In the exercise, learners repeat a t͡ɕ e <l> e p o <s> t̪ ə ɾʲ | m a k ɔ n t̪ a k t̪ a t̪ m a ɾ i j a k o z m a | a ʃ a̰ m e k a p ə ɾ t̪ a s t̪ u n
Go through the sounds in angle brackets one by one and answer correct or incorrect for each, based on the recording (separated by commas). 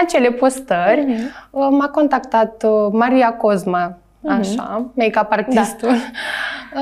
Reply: correct, correct